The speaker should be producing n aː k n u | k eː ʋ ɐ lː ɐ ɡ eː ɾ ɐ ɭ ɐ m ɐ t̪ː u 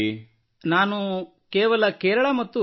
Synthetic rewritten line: n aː n u | k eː ʋ ɐ l ɐ k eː ɾ ɐ ɭ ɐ m ɐ t̪ː u